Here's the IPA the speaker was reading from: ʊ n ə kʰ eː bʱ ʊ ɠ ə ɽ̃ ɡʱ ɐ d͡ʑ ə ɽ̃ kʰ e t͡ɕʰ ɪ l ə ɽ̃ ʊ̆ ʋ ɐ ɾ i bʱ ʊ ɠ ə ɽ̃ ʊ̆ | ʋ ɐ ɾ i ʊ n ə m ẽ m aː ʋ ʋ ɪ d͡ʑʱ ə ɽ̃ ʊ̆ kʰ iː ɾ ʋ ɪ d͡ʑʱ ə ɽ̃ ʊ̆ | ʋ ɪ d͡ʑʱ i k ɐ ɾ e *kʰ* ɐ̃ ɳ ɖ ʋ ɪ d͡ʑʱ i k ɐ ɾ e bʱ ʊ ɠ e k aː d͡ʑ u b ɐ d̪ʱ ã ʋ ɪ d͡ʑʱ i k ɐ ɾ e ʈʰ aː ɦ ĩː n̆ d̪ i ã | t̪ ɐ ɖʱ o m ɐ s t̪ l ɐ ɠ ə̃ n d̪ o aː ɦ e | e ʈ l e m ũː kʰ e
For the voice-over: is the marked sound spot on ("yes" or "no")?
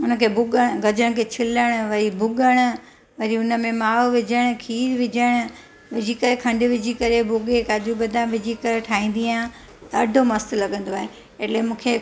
yes